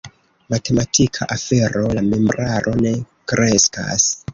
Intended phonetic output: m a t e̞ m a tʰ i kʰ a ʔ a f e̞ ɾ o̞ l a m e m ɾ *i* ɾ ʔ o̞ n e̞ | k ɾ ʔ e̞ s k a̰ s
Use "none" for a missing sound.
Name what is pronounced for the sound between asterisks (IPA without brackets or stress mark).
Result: a